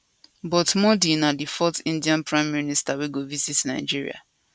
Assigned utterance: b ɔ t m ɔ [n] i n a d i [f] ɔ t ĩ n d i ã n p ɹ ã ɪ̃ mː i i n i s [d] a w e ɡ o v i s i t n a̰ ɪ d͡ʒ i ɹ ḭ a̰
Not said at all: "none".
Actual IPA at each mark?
d, f, t

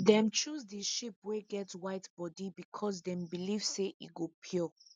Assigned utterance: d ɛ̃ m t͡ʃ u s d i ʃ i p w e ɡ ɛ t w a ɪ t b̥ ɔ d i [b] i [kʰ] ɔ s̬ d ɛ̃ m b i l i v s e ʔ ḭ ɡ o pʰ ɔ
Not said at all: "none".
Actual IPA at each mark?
b, kʰ

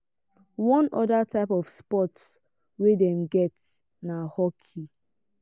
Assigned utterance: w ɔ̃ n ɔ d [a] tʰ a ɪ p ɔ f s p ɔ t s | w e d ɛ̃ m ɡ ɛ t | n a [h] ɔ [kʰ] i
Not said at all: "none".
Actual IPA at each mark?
a, h, kʰ

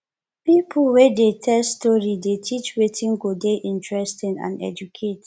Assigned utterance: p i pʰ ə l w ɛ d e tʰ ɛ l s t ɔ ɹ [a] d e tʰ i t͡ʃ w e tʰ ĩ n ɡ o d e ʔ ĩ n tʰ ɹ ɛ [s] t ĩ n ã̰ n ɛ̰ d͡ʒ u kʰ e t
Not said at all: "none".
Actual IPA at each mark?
i, s

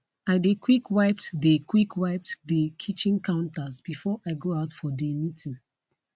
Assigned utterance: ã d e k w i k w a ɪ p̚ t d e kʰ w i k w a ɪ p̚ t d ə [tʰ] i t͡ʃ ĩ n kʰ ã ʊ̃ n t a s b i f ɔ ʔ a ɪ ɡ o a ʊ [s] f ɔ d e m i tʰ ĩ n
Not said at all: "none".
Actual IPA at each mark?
kʰ, t

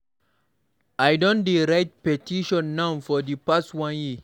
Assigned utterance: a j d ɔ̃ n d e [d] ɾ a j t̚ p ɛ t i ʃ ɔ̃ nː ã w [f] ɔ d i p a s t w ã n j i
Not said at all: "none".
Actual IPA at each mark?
none, f

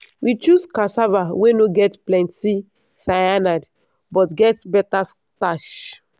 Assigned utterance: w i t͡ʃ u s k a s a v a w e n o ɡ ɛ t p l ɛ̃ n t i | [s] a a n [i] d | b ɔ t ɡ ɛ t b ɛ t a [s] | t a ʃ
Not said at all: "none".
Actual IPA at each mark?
s, a, s

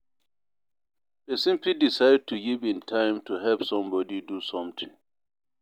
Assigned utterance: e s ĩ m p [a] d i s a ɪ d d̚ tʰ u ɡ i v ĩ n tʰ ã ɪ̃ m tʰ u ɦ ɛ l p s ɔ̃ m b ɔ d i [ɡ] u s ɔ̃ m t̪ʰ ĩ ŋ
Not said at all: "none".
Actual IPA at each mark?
i, d

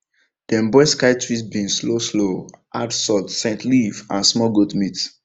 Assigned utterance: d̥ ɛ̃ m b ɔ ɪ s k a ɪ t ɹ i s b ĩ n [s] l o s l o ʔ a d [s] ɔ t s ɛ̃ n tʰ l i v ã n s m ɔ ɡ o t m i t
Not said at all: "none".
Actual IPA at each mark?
s, s

